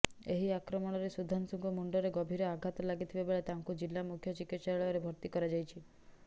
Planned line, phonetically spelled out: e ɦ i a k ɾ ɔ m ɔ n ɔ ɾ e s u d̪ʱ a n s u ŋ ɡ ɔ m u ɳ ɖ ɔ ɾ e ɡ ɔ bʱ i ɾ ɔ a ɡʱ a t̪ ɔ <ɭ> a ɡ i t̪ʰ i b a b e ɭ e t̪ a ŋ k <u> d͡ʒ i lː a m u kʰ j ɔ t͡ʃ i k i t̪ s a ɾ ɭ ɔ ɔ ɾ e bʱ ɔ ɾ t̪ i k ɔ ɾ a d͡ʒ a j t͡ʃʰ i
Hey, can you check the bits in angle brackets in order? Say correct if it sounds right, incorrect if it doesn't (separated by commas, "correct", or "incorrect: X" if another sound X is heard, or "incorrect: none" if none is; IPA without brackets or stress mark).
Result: incorrect: l, correct